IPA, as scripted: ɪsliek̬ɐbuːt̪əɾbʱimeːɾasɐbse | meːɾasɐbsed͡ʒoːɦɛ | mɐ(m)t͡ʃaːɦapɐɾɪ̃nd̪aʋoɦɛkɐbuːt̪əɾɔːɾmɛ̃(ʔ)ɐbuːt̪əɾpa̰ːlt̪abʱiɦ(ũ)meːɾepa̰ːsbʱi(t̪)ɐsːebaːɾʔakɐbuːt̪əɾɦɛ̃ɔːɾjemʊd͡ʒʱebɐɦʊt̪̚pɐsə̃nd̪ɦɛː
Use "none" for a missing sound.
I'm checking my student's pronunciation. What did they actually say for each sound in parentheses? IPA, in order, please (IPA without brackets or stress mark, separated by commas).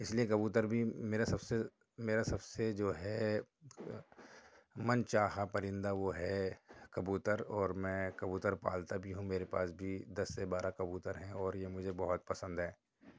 n, k, ũ, d̪